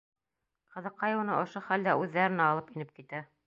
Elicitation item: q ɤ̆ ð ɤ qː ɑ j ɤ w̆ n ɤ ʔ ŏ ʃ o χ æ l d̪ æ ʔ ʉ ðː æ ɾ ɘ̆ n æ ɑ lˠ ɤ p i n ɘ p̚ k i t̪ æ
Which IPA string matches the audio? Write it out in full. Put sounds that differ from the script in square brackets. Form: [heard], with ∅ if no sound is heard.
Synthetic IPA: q ɤ̆ ð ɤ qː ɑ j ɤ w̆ n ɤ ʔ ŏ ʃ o χ æ l d̪ æ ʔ ʉ ðː æ ɾ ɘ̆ n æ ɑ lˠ ɤ p i n ɘ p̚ k i t̪ æ

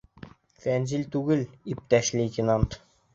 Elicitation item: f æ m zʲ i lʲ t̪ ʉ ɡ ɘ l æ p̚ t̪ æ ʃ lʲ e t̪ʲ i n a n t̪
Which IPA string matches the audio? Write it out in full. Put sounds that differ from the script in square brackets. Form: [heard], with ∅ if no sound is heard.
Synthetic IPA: f æ [n] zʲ i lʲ t̪ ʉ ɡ ɘ l [i] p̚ t̪ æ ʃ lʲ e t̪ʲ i n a n t̪

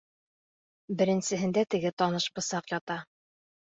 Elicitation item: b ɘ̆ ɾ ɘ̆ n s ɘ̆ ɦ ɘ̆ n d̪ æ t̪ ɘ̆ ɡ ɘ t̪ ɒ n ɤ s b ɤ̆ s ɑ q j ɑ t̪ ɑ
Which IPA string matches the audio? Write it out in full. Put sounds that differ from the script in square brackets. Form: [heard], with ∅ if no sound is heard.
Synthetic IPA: b ɘ̆ ɾ ɘ̆ n s ɘ̆ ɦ ɘ̆ n d̪ æ t̪ ɘ̆ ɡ ɘ t̪ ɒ n ɤ [ʃ] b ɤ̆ s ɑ q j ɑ t̪ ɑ

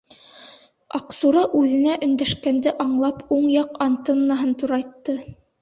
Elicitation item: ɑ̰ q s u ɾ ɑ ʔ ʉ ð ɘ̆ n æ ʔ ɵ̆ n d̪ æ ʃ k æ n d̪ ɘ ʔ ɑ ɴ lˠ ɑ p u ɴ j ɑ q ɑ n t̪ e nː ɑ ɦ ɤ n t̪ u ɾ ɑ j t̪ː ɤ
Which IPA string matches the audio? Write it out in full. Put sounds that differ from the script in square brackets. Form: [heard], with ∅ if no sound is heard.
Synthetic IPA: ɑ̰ q s u ɾ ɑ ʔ ʉ ð ɘ̆ n æ ʔ ɵ̆ n d̪ æ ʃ k æ n d̪ ɘ ʔ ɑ ɴ lˠ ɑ p u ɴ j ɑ q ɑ n t̪ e nː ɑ ɦ ɤ n t̪ u ɾ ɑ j t̪ː ɤ

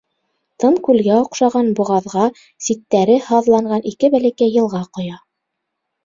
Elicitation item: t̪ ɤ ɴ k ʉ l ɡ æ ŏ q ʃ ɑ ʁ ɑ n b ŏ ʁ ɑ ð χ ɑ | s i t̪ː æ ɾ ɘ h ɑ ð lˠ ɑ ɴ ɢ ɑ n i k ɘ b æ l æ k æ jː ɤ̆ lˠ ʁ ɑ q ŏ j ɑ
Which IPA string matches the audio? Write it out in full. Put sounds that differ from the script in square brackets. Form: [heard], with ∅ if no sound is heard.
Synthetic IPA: t̪ ɤ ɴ k ʉ l ɡ æ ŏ q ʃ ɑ ʁ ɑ n b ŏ ʁ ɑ ð [ʁ] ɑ | s i t̪ː æ ɾ ɘ h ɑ ð lˠ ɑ ɴ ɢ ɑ n i k ɘ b æ l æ k æ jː ɤ̆ lˠ ʁ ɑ q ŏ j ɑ

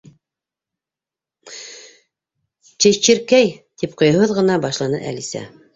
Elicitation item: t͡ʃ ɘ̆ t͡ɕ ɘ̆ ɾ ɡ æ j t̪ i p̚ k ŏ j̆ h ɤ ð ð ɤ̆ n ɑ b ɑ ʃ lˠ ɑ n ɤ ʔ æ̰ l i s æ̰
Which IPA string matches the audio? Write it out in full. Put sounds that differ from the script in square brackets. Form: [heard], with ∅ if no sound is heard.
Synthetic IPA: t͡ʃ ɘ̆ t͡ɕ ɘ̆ ɾ [k] æ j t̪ i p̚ [q] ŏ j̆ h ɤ ð [ʁ] ɤ̆ n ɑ b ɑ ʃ lˠ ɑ n ɤ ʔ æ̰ l i s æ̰

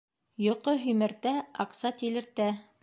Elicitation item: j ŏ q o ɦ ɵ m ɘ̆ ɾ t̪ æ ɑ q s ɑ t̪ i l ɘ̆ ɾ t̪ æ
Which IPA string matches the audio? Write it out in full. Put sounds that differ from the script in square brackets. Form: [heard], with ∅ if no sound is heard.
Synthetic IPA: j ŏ q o ɦ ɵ m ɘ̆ ɾ t̪ æ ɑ q s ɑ t̪ i l ɘ̆ ɾ t̪ æ

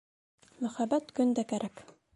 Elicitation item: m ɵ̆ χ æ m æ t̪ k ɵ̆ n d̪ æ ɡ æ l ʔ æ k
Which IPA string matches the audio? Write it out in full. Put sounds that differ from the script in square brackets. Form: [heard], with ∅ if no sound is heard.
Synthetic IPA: m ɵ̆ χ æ [b] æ t̪ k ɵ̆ n d̪ æ [k] æ [ɾ] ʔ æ k

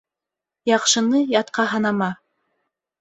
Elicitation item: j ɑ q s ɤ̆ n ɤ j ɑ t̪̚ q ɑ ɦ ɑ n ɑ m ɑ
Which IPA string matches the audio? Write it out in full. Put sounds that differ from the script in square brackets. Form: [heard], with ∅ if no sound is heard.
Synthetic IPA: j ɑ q [ʃ] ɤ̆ n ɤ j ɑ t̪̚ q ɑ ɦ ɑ n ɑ m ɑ

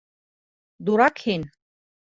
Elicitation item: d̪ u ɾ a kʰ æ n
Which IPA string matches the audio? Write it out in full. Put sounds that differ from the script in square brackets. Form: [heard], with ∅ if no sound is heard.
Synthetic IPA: d̪ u ɾ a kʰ [i] n

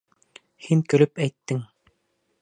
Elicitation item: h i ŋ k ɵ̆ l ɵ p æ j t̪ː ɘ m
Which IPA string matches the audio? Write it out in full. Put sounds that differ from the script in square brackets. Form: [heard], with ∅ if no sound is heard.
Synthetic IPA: h i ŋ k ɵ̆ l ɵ p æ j t̪ː ɘ [ŋ]

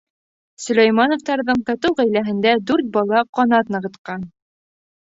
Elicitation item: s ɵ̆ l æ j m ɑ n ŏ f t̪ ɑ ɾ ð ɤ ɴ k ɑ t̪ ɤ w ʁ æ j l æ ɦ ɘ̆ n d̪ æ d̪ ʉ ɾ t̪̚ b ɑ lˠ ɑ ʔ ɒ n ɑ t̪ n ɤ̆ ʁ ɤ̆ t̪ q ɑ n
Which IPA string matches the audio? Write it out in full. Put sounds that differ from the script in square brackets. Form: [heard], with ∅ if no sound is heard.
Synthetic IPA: s ɵ̆ l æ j m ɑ n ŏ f t̪ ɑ ɾ ð ɤ ɴ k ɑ t̪ ɤ w ʁ æ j l æ ɦ ɘ̆ n d̪ æ d̪ ʉ ɾ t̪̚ b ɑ lˠ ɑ [q] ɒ n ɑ t̪ n ɤ̆ ʁ ɤ̆ t̪ q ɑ n

